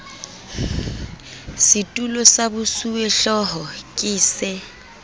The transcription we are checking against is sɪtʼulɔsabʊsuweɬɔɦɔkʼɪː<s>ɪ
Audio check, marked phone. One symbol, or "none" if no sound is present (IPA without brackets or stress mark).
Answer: s